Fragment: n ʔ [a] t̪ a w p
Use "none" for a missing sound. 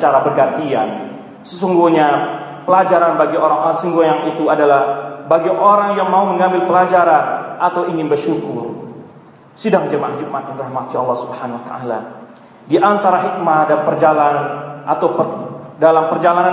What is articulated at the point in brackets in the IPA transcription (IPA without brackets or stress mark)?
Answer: a